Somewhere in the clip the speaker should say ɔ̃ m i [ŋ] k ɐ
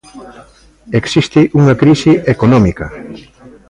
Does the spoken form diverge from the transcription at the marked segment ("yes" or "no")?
yes